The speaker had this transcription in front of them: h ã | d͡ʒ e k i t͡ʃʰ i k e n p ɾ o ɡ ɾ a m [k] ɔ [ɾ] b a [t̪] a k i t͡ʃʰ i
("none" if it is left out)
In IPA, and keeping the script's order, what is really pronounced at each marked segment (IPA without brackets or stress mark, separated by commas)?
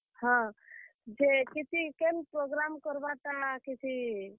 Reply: k, ɾ, t̪